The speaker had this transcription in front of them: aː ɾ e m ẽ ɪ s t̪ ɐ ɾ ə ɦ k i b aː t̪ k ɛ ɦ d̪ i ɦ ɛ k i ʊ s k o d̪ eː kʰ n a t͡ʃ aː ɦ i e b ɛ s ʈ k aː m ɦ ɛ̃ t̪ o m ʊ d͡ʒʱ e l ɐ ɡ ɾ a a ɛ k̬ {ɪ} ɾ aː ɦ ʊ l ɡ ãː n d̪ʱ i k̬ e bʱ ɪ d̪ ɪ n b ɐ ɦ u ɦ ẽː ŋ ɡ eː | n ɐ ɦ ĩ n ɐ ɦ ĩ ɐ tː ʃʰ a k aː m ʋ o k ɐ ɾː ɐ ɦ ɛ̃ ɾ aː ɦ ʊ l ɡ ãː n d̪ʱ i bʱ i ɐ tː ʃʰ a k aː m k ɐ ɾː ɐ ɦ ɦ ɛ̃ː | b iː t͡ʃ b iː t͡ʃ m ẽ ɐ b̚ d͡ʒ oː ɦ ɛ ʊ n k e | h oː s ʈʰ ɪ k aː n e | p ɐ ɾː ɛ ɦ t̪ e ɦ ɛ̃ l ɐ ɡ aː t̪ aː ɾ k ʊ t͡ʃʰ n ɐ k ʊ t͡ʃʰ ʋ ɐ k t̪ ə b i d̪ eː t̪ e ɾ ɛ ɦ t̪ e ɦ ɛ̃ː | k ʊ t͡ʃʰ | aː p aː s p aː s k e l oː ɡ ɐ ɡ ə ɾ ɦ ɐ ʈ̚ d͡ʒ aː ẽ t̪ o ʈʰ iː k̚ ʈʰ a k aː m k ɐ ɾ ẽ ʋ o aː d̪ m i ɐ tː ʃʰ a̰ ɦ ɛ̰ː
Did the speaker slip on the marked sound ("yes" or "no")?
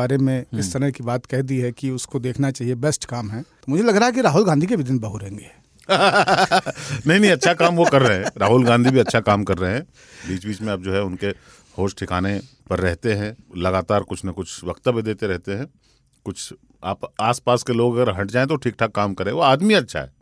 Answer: yes